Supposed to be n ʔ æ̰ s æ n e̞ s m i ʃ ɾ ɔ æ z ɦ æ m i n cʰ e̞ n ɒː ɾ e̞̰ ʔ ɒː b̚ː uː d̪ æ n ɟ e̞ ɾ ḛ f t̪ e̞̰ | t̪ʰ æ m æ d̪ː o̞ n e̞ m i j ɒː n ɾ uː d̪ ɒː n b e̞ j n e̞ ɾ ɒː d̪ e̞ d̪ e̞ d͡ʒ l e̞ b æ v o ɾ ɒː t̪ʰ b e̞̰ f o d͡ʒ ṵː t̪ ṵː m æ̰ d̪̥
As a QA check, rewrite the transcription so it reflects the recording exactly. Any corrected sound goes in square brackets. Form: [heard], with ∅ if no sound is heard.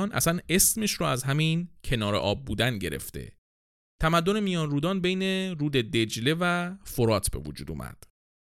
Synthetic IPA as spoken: n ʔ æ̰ s æ n e̞ s m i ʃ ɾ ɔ æ z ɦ æ m i n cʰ e̞ n ɒː ɾ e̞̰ ʔ ɒː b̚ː uː d̪ æ n ɟ e̞ ɾ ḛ f t̪ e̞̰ | t̪ʰ æ m æ d̪ː o̞ n e̞ m i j ɒː n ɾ uː d̪ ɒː n b e̞ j n e̞ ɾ [uː] d̪ e̞ d̪ e̞ d͡ʒ l e̞ [v] æ [f] o ɾ ɒː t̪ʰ b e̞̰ [v] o d͡ʒ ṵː [d̪] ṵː m æ̰ d̪̥